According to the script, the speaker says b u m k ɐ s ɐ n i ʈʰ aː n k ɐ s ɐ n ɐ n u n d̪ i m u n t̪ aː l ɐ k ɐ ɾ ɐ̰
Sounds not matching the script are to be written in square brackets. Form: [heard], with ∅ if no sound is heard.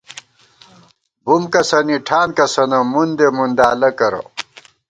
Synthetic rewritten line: b u m k ɐ s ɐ n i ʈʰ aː n k ɐ s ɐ n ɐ [m] u n d̪ [e] m u n [d̪] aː l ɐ k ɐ ɾ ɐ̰